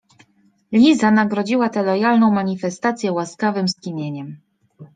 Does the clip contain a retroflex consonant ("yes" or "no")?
no